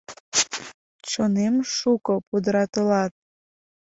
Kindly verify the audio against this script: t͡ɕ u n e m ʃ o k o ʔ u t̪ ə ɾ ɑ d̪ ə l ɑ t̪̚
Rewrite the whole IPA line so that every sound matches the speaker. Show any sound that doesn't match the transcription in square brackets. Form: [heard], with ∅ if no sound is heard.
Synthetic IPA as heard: t͡ɕ [o] n e m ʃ [u] k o [p] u [d̪] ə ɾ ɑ [t̪] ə l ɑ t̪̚